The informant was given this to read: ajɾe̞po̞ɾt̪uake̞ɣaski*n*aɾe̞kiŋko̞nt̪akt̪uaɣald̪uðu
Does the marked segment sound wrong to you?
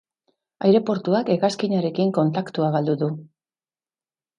yes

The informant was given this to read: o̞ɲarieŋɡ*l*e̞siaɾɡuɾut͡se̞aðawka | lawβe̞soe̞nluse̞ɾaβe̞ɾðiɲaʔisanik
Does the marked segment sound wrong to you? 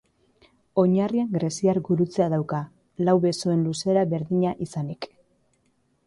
yes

